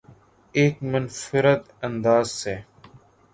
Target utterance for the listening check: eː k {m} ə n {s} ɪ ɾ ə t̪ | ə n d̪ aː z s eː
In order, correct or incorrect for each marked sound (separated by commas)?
correct, incorrect